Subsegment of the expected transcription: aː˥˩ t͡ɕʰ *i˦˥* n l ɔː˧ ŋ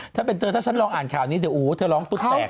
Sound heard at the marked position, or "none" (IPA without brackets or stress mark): a˦˥